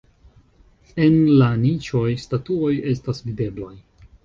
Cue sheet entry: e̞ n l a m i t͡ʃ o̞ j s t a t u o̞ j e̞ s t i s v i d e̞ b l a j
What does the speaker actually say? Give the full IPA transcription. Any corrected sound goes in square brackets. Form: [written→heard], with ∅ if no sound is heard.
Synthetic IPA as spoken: e̞ n l a [m→n] i t͡ʃ o̞ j s t a t u o̞ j e̞ s t [i→a] s v i d e̞ b l a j